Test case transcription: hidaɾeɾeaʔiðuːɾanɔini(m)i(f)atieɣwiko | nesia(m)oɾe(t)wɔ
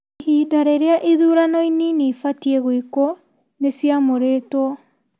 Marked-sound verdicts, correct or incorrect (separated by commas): incorrect, correct, correct, correct